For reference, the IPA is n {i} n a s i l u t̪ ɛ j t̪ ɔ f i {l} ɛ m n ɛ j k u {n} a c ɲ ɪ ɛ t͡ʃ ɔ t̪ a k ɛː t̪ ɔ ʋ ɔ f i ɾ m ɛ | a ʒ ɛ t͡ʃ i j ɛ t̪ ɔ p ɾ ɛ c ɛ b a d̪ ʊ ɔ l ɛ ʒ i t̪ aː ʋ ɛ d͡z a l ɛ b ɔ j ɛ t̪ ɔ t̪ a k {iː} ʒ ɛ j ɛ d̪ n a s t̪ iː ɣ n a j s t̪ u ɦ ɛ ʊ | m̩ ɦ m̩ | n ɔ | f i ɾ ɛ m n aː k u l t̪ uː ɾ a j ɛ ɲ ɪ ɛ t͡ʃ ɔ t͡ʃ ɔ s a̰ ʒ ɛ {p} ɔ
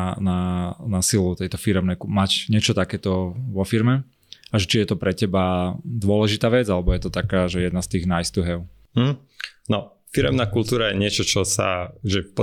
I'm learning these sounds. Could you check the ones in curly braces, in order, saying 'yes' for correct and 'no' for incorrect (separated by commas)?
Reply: no, no, no, no, yes